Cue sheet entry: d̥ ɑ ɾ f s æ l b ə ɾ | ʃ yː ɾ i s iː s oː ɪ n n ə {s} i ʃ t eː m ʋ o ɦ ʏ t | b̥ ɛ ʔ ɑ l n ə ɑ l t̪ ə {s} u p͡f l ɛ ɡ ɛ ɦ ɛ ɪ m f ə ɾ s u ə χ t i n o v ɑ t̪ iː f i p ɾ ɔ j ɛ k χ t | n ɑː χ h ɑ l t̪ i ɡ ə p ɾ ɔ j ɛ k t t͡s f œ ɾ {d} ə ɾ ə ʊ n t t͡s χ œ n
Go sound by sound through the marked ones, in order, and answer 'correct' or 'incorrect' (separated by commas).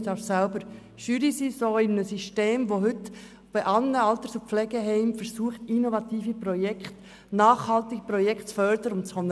correct, correct, correct